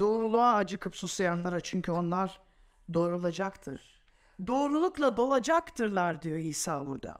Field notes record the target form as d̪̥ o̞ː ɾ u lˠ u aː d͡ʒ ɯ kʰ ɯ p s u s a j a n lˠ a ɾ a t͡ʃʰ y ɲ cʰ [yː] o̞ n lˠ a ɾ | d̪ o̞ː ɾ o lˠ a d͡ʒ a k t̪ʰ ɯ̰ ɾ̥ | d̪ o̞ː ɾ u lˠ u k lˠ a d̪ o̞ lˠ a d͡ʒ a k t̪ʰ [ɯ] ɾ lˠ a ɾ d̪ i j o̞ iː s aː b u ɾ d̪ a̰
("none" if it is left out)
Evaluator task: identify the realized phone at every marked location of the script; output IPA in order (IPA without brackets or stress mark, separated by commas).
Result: y, ɯ